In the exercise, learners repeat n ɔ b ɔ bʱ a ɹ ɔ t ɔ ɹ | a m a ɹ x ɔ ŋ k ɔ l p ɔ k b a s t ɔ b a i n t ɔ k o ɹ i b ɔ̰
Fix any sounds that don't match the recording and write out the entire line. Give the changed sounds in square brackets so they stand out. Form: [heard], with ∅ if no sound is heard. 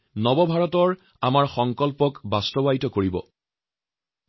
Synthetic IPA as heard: n ɔ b ɔ bʱ a ɹ ɔ t ɔ ɹ | a m a ɹ x ɔ ŋ k ɔ l p ɔ k b a s t ɔ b a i [∅] t ɔ k o ɹ i b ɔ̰